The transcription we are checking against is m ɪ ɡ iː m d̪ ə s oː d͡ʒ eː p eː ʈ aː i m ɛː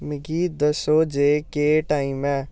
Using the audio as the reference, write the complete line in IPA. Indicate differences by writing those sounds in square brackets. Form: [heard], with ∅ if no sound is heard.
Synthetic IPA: m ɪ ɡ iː [∅] d̪ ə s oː d͡ʒ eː [k] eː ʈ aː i m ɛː